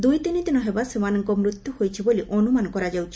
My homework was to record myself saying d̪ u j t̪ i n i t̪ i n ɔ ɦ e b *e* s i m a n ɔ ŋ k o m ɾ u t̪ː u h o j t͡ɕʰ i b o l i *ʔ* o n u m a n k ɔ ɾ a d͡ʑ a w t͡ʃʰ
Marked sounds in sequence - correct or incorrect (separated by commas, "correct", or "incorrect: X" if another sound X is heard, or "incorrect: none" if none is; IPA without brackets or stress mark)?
incorrect: a, correct